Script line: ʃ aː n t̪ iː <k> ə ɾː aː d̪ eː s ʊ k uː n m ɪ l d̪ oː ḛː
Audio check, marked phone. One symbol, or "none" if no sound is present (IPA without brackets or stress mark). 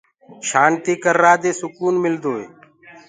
k